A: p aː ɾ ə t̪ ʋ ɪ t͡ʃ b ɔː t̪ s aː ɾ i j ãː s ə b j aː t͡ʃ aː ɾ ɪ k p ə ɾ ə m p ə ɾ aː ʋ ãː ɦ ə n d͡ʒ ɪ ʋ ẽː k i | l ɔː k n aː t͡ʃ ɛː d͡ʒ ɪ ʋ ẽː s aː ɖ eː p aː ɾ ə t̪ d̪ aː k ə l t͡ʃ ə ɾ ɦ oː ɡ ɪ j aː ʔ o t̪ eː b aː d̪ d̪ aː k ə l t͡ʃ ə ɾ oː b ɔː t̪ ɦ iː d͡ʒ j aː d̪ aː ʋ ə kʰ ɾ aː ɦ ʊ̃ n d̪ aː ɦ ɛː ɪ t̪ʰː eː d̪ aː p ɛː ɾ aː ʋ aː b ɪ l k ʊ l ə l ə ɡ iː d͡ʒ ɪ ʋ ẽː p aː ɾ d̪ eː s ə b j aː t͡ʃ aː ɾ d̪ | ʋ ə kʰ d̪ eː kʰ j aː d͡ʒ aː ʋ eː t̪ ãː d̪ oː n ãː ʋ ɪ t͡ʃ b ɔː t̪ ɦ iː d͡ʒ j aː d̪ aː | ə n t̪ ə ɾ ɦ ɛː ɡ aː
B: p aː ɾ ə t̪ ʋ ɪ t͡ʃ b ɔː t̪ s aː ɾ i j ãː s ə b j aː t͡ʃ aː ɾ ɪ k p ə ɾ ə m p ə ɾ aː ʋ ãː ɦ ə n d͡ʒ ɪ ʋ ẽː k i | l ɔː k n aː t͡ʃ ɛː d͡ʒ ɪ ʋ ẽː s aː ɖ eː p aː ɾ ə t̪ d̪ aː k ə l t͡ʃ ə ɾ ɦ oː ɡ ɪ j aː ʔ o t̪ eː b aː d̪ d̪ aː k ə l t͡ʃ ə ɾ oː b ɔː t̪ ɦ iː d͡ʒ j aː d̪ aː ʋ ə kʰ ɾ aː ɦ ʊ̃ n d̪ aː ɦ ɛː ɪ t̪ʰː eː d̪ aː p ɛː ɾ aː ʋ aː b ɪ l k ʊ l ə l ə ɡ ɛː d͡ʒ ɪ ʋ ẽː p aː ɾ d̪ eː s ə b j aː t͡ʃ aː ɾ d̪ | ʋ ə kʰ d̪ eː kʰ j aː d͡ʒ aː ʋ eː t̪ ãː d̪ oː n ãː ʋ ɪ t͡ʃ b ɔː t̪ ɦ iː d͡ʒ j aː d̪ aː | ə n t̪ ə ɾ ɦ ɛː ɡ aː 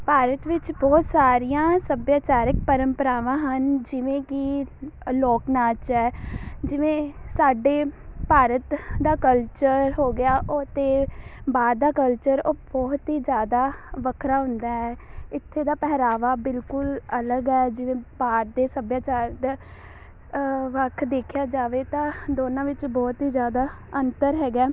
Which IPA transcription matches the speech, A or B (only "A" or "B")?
B